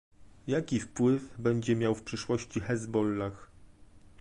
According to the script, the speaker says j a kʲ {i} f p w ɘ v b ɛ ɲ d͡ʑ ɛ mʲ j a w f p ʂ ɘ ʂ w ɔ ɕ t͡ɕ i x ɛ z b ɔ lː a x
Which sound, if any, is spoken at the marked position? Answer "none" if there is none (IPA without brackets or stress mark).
i